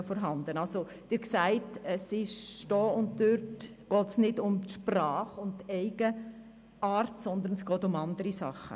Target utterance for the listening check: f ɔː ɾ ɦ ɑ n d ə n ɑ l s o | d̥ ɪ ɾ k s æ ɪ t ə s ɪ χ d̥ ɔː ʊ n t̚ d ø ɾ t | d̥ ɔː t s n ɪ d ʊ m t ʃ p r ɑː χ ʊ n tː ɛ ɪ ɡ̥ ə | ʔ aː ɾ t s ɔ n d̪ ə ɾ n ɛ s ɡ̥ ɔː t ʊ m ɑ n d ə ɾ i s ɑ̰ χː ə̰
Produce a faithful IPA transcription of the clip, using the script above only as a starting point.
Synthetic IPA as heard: f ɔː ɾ ɦ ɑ n d ə n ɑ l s o | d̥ ɪ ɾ k s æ ɪ t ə s ɪ ʃ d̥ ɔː ʊ n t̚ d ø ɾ t | ɡ̥ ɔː t s n ɪ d ʊ m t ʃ p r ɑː χ ʊ n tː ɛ ɪ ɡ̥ ə | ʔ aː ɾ t s ɔ n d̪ ə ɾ n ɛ s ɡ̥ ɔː t ʊ m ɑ n d ə ɾ i s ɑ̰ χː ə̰